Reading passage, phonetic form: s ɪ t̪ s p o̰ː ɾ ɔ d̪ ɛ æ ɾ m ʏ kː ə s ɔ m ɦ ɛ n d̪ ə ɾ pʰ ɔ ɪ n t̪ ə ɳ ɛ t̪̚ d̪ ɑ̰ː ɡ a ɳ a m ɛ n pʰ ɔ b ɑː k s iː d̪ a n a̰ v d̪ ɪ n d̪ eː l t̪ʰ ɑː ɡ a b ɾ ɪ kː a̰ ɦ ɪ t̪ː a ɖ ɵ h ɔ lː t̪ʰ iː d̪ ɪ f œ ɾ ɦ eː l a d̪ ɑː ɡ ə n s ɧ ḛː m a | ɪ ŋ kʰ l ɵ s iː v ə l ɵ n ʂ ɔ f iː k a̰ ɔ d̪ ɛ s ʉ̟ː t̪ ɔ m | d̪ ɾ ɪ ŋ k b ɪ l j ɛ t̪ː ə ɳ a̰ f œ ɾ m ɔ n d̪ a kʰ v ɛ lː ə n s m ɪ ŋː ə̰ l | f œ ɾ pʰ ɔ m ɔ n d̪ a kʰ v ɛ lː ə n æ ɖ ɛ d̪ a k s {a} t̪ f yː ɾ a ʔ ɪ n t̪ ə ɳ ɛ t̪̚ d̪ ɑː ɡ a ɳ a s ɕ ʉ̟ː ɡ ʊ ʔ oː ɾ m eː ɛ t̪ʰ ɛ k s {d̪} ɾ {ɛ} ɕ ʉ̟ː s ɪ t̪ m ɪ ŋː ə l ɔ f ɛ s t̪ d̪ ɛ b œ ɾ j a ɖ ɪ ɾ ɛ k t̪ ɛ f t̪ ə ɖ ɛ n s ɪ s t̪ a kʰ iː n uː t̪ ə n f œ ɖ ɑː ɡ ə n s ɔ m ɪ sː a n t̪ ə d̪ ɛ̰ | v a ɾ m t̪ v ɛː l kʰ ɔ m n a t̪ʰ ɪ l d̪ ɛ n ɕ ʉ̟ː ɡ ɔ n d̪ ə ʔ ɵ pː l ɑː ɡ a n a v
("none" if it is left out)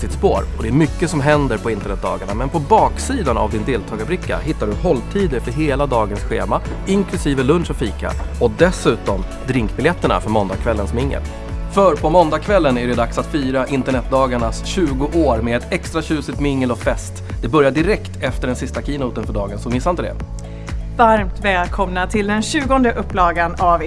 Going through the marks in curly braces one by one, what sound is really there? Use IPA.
a, t̪, a

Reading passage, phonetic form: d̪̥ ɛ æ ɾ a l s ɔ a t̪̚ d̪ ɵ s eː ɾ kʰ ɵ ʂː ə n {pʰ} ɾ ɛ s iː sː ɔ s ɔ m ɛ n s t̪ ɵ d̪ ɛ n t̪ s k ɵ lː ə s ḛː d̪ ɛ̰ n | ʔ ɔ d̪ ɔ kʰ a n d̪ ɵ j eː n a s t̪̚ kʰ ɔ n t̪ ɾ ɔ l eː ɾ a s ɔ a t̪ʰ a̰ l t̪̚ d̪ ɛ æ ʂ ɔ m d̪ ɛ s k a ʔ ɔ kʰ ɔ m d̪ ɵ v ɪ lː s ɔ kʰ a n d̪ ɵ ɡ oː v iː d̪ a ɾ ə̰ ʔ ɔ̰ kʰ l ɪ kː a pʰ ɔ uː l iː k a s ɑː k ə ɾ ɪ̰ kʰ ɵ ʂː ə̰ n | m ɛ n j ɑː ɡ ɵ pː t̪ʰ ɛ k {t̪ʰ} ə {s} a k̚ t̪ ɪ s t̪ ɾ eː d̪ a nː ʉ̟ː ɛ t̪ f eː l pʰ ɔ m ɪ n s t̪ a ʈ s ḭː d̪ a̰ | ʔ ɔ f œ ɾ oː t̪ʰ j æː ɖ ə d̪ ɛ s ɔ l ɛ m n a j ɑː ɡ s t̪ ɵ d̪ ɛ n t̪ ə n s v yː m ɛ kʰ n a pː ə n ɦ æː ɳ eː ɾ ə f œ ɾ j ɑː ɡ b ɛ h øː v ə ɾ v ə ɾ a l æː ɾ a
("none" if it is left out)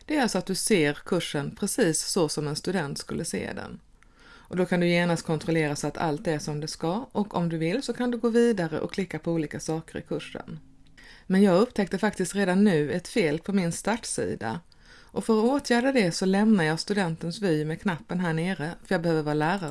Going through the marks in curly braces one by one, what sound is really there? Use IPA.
pʰ, t̪, f

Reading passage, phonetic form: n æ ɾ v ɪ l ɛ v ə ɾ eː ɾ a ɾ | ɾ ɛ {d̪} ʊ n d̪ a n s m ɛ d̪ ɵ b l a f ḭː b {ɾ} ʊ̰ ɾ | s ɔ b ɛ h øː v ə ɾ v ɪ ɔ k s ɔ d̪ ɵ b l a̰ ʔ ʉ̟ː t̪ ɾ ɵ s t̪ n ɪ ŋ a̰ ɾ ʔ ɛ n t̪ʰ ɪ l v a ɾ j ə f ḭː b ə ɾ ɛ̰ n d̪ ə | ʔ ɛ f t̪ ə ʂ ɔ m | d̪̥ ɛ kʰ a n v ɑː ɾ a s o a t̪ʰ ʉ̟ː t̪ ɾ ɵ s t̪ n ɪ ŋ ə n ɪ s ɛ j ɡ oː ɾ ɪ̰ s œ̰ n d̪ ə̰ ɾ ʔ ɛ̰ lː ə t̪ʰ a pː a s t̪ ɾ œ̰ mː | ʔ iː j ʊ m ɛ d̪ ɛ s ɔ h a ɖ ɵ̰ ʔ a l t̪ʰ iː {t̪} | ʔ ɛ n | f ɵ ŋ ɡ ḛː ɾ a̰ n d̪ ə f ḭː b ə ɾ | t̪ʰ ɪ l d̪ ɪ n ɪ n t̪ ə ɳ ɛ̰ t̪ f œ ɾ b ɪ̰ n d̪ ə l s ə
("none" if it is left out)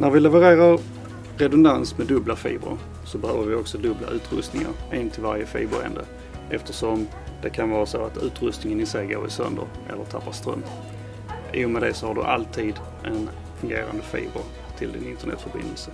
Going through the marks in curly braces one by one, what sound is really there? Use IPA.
d̪, ɾ, d̪

